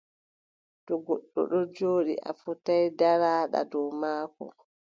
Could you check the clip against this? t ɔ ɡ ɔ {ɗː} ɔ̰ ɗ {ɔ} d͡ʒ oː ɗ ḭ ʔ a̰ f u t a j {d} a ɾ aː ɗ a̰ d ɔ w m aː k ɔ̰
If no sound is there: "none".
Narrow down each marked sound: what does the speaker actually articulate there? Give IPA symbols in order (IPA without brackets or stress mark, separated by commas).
ɗː, ɔ, d